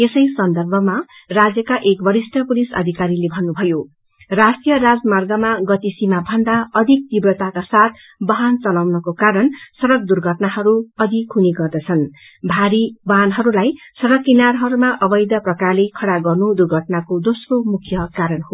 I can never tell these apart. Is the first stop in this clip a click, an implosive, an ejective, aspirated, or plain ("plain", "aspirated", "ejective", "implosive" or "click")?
plain